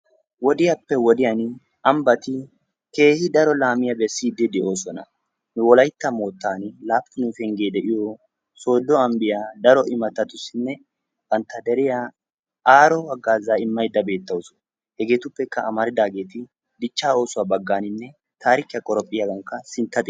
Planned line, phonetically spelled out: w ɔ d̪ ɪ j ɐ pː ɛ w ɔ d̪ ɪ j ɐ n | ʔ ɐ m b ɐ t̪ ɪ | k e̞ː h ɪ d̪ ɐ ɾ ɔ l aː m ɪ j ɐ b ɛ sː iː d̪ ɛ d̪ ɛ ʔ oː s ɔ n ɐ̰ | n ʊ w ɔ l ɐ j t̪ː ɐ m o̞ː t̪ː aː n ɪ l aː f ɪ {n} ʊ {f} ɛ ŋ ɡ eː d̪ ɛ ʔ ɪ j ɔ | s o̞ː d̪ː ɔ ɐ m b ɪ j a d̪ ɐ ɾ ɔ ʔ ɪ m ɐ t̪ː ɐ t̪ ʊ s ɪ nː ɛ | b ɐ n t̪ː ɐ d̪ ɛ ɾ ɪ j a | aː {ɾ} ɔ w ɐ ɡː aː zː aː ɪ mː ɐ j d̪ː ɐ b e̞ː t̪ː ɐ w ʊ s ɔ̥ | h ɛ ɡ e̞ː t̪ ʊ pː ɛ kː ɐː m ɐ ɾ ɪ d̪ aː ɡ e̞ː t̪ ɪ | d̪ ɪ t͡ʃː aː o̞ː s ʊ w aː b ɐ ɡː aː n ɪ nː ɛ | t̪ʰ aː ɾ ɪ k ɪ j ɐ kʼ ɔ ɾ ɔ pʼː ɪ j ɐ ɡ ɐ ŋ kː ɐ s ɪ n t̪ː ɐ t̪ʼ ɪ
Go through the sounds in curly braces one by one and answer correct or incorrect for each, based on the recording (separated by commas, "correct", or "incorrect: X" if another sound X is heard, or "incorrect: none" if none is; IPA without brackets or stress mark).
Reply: correct, correct, correct